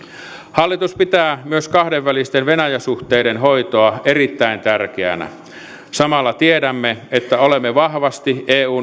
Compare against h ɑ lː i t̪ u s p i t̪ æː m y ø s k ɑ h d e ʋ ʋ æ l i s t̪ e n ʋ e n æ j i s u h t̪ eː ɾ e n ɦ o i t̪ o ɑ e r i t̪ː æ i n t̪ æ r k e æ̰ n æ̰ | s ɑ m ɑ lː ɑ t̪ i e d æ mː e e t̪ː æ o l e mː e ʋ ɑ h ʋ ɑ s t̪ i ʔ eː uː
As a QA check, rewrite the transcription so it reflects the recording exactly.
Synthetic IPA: h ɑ lː i t̪ u s p i t̪ æː m y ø s k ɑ h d e ʋ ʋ æ l i s t̪ e n ʋ e n æ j æ s u h t̪ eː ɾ e n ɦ o i t̪ o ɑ e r i t̪ː æ i n t̪ æ r k e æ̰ n æ̰ | s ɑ m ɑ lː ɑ t̪ i e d æ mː e e t̪ː æ o l e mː e ʋ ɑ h ʋ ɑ s t̪ i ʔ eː uː